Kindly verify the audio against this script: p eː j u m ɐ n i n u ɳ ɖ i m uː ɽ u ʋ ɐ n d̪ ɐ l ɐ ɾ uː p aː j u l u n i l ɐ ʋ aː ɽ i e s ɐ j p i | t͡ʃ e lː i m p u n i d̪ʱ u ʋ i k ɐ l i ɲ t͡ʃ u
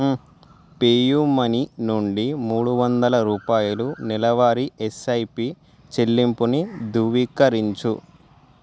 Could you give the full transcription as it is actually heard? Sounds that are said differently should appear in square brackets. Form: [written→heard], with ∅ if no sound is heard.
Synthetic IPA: p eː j u m ɐ n i n u ɳ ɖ i m uː ɽ u ʋ ɐ n d̪ ɐ l ɐ ɾ uː p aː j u l u n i l ɐ ʋ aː [ɽ→ɾ] i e s ɐ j p i | t͡ʃ e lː i m p u n i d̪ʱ u ʋ i k ɐ [l→ɾ] i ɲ t͡ʃ u

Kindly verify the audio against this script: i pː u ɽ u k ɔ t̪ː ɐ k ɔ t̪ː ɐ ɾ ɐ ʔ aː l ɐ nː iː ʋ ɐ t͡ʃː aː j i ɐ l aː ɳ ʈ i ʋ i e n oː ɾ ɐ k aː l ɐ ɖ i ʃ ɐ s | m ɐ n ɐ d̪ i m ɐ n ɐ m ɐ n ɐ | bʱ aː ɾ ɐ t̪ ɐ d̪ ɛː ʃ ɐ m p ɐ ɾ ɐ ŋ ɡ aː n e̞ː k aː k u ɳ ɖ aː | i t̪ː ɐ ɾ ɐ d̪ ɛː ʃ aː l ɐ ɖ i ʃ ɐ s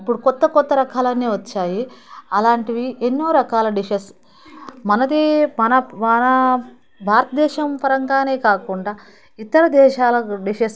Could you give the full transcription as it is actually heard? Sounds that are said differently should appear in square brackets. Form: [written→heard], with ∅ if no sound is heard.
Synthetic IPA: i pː u ɽ u k ɔ t̪ː ɐ k ɔ t̪ː ɐ ɾ ɐ [ʔ→k] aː l ɐ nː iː ʋ ɐ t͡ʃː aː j i ɐ l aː ɳ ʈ i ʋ i e [n→nː] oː ɾ ɐ k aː l ɐ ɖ i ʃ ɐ s | m ɐ n ɐ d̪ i m ɐ n ɐ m ɐ n ɐ | bʱ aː ɾ ɐ t̪ ɐ d̪ ɛː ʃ ɐ m p ɐ ɾ ɐ ŋ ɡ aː n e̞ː k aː k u ɳ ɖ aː | i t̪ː ɐ ɾ ɐ d̪ ɛː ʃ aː l ɐ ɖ i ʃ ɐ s

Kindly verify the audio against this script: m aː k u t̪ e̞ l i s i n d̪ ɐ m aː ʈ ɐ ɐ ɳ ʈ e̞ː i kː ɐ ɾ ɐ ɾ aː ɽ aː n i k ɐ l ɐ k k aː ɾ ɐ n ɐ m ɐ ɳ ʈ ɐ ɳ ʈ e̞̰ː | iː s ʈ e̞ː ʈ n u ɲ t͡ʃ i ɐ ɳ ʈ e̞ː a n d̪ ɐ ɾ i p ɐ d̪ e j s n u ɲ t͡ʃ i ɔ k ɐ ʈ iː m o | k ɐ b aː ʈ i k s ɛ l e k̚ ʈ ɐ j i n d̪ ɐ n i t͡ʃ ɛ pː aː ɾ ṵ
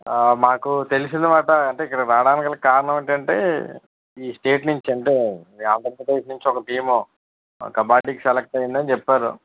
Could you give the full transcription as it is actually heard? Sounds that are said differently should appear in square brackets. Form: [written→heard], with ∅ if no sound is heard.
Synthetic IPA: m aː k u t̪ e̞ l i s i n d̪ ɐ m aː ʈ ɐ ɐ ɳ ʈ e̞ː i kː ɐ [ɾ→ɽ] ɐ ɾ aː ɽ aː n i k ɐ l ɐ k k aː ɾ ɐ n ɐ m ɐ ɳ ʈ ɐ ɳ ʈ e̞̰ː | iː s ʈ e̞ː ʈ n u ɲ t͡ʃ i ɐ ɳ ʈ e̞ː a n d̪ ɐ ɾ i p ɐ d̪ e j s n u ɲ t͡ʃ i ɔ k ɐ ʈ iː m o | k ɐ b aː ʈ i k s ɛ l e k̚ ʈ ɐ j i n d̪ ɐ n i t͡ʃ ɛ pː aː ɾ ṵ

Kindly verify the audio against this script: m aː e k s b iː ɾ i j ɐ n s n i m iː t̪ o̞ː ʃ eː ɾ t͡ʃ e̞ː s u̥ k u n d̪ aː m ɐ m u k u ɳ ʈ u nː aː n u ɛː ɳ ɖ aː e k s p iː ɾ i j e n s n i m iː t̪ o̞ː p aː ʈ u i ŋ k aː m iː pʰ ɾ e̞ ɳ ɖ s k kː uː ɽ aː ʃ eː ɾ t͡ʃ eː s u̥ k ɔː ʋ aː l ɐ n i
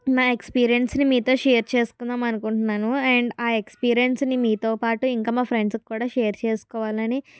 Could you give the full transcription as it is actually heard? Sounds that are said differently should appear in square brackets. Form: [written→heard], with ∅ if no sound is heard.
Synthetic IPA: m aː e k s [b→p] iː ɾ i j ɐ n s n i m iː t̪ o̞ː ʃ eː ɾ t͡ʃ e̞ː s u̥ k u n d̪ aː m ɐ [m→n] u k u ɳ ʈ u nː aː n u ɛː ɳ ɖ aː e k s p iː ɾ i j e n s n i m iː t̪ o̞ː p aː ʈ u i ŋ k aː m [iː→aː] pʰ ɾ e̞ ɳ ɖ s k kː uː ɽ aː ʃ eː ɾ t͡ʃ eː s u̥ k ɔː ʋ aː l ɐ n i

